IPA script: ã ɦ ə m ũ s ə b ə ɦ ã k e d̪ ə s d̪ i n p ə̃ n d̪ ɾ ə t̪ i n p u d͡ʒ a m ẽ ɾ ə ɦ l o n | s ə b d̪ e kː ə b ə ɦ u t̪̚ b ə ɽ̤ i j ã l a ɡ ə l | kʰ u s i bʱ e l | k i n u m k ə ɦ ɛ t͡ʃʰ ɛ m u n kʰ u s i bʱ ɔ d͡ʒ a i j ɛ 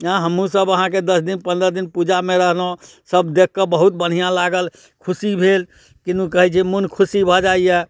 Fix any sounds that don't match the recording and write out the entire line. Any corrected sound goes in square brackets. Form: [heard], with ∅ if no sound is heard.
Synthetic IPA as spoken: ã ɦ ə m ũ s ə b ə ɦ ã k e d̪ ə s d̪ i n p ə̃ n d̪ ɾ ə [d̪] i n p u d͡ʒ a m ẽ ɾ ə ɦ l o [∅] | s ə b d̪ e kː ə b ə ɦ u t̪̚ b ə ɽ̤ i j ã l a ɡ ə l | kʰ u s i bʱ e l | k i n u [∅] k ə ɦ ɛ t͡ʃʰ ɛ m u n kʰ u s i bʱ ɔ d͡ʒ a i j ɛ